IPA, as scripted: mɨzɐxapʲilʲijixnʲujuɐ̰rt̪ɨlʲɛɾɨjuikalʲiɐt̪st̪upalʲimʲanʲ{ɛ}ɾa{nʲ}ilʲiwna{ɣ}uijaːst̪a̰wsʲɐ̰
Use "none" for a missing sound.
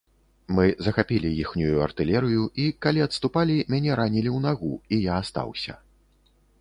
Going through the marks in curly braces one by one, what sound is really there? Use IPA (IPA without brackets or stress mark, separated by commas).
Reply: ɛ, nʲ, ɣ